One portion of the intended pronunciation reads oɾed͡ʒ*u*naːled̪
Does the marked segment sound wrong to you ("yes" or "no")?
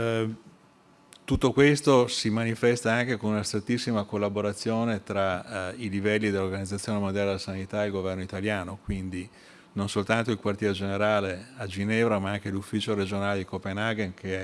yes